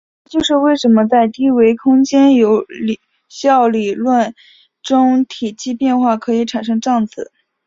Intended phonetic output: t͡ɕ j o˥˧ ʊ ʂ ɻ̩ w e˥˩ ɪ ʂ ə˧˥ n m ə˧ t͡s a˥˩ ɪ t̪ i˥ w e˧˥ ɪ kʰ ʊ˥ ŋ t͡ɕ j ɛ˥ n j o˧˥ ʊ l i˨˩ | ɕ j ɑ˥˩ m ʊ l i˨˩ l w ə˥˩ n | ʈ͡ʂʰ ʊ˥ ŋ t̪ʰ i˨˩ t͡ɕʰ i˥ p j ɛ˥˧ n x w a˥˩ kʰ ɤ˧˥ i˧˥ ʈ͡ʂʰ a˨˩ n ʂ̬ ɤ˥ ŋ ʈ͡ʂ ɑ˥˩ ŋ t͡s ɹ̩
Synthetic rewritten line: t͡ɕ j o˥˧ ʊ ʂ ɻ̩ w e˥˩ ɪ ʂ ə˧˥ n m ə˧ t͡s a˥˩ ɪ t̪ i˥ w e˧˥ ɪ kʰ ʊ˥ ŋ t͡ɕ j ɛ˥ n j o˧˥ ʊ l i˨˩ | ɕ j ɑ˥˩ ʊ l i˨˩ l w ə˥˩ n | ʈ͡ʂ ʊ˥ ŋ t̪ʰ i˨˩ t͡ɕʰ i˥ p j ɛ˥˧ n x w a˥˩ kʰ ɤ˧˥ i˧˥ ʈ͡ʂʰ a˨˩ n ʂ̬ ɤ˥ ŋ ʈ͡ʂ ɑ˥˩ ŋ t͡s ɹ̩